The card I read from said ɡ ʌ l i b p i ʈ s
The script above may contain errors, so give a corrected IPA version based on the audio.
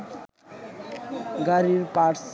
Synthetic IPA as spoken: ɡ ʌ ɾ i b p a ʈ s